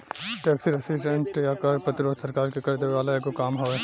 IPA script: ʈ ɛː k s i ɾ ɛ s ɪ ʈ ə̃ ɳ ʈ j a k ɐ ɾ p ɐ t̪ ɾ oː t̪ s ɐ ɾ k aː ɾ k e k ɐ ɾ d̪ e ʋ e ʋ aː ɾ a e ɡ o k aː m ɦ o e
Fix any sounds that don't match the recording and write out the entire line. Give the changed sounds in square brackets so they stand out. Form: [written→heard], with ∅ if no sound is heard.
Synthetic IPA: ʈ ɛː k s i ɾ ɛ s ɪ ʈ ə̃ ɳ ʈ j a k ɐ ɾ p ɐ t̪ ɾ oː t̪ s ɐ ɾ k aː ɾ k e k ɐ ɾ d̪ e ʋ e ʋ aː [ɾ→l] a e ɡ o k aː m ɦ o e